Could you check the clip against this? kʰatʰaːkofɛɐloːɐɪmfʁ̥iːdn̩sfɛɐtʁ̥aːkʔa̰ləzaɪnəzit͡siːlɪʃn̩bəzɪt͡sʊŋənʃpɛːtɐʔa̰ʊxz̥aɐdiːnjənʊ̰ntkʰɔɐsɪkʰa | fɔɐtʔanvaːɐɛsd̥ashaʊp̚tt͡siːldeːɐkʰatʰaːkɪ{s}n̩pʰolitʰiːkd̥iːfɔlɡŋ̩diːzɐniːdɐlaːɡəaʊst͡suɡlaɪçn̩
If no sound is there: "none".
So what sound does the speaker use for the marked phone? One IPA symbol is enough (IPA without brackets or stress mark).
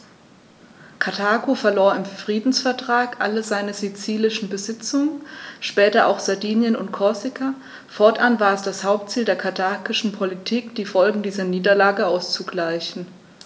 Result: ʃ